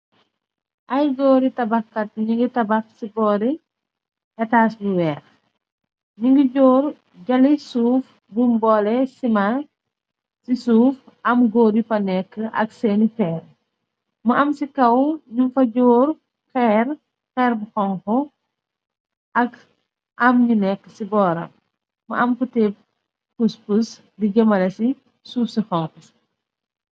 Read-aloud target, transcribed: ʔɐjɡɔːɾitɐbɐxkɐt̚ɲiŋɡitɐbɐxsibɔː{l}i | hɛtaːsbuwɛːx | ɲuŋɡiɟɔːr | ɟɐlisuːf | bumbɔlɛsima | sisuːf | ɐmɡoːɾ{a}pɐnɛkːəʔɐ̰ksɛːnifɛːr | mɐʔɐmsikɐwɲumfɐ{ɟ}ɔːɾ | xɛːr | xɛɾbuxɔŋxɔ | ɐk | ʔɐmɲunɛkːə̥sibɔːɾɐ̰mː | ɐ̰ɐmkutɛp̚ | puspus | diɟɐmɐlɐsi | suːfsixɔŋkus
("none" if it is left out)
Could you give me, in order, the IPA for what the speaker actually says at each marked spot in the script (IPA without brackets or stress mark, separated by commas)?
ɾ, i, ɟ